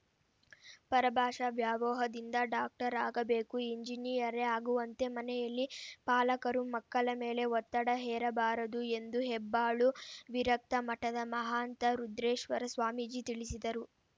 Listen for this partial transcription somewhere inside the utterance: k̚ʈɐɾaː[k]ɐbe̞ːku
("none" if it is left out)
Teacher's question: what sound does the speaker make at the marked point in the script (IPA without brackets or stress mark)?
ɡ